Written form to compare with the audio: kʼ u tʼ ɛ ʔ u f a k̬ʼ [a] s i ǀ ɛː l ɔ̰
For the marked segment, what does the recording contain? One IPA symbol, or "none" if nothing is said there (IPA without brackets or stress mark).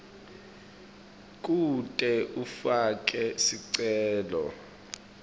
ɛ